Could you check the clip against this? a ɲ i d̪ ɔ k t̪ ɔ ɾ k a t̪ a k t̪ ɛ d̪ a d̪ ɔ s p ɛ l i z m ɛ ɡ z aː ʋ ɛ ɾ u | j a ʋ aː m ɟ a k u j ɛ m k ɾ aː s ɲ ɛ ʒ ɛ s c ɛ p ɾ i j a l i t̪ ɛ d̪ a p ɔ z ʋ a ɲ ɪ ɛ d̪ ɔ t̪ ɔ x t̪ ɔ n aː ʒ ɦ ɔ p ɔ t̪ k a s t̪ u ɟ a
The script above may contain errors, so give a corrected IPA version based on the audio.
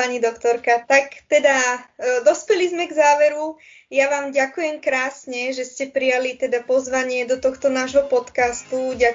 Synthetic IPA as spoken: a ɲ i d̪ ɔ k t̪ ɔ ɾ k a t̪ a k t̪ ɛ d̪ a d̪ ɔ s p ɛ l i z m ɛ ɡ z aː ʋ ɛ ɾ u | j a ʋ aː m ɟ a k u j ɛ m k ɾ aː s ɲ ɛ ʒ ɛ s c ɛ p ɾ i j a l i t̪ ɛ d̪ a p ɔ z ʋ a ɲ ɪ ɛ d̪ ɔ t̪ ɔ x t̪ ɔ n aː ʒ ɦ ɔ p ɔ t̪ k a s t̪ u ɟ a